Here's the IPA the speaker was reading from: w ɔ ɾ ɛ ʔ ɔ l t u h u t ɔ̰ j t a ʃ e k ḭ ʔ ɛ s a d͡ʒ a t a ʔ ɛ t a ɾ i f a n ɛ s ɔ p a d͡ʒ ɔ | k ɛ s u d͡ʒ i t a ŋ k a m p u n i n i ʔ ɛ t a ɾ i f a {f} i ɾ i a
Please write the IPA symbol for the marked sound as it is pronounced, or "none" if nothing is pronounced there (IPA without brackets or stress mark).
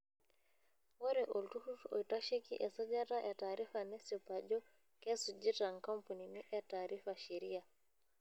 ʃ